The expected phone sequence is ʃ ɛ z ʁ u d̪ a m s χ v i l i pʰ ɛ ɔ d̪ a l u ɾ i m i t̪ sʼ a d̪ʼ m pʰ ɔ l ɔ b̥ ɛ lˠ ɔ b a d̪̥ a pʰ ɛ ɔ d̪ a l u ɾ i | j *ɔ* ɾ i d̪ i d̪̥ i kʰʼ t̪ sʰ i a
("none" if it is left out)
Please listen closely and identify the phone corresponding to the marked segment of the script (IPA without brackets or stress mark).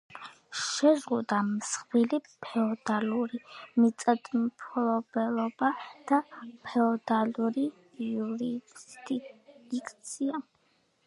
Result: u